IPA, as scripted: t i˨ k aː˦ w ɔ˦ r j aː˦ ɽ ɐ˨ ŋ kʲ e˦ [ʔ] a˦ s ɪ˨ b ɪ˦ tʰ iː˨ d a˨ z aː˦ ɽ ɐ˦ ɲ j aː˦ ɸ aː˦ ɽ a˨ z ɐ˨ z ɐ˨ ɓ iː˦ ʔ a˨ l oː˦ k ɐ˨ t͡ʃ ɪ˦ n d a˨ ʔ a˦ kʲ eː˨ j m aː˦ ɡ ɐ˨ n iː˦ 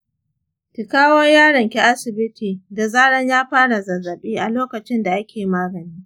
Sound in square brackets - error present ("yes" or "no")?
no